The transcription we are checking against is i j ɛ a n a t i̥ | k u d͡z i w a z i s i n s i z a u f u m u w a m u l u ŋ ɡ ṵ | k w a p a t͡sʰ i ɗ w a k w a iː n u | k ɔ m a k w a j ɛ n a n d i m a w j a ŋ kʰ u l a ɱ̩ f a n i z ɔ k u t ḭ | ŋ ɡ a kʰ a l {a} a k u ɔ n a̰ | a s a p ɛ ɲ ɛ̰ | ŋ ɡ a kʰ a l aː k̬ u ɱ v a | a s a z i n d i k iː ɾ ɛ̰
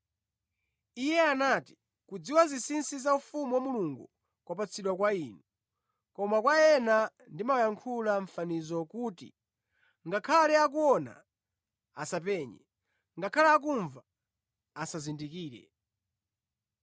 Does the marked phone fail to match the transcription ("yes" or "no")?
yes